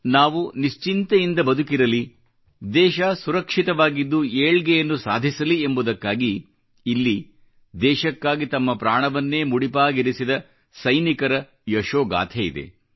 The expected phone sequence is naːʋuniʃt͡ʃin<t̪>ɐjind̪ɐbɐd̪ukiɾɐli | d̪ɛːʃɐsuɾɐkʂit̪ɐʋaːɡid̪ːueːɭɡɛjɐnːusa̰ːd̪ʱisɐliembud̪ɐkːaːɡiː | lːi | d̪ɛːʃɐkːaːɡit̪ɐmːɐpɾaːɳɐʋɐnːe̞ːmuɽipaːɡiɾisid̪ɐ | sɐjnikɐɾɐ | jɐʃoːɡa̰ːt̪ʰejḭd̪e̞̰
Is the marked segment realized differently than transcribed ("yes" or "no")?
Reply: no